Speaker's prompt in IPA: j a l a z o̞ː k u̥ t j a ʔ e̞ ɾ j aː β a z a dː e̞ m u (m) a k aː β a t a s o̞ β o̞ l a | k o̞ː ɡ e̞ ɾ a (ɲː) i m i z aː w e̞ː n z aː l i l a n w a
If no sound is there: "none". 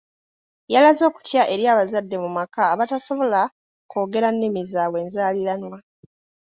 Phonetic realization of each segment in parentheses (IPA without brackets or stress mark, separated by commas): m, nː